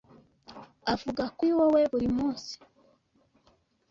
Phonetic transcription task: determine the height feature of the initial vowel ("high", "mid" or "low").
low